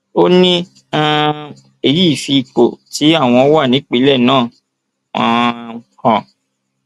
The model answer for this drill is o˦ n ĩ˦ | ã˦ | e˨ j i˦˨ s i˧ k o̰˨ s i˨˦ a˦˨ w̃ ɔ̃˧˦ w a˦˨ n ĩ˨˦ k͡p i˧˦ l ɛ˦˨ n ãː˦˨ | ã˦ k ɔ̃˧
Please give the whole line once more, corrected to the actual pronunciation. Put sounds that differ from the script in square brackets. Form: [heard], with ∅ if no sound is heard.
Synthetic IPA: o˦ n ĩ˦ | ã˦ | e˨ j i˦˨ [f] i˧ [k͡p] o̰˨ [t] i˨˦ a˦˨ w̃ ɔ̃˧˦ w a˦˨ n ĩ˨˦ k͡p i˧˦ l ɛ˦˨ n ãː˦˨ | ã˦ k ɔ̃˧